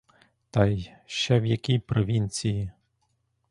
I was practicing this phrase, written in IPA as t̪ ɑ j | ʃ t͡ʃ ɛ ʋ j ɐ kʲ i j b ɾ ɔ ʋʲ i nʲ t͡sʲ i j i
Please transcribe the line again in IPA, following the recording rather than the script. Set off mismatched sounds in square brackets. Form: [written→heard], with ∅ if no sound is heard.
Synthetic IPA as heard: t̪ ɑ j | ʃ t͡ʃ ɛ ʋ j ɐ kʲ i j [b→p] ɾ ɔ ʋʲ i nʲ t͡sʲ i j i